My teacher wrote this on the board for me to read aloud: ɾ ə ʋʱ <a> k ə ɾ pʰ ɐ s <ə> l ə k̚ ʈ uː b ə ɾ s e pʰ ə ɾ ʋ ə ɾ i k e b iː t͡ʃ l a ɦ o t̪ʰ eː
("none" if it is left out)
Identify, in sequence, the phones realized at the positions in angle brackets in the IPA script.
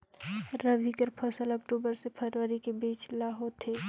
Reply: i, ə

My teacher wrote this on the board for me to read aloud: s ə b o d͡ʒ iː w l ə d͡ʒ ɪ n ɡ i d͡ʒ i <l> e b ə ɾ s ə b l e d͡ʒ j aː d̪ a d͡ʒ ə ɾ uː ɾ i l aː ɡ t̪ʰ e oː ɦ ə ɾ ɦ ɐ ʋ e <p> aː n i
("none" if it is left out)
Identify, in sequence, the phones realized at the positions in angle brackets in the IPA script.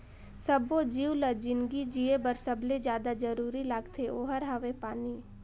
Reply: none, p

